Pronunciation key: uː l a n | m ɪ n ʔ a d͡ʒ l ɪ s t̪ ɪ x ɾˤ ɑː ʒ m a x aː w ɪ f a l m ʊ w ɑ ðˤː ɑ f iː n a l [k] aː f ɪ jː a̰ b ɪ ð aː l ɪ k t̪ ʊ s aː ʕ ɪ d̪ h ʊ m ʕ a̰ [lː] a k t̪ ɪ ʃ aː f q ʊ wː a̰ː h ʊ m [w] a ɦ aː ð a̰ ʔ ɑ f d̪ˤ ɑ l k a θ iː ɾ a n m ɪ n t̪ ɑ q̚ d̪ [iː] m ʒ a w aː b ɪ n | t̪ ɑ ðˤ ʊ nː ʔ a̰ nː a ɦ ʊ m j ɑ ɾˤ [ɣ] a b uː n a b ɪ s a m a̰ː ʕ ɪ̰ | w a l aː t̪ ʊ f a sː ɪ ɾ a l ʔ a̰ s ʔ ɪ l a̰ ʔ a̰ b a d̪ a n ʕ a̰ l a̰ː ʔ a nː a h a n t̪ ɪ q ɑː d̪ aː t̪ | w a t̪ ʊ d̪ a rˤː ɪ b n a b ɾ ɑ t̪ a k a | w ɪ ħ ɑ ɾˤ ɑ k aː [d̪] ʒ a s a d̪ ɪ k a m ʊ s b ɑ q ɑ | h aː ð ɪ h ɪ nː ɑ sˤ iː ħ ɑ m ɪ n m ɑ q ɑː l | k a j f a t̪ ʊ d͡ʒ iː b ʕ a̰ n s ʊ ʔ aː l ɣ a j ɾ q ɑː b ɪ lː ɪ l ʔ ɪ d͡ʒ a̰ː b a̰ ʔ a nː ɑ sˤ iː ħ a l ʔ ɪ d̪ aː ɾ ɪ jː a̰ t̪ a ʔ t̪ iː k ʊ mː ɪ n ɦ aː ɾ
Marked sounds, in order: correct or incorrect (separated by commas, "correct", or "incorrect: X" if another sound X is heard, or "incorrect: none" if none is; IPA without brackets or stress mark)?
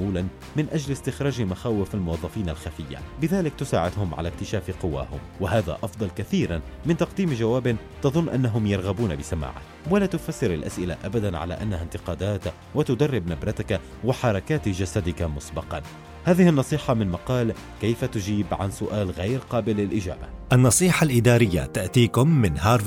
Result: incorrect: x, incorrect: l, correct, correct, correct, incorrect: t̪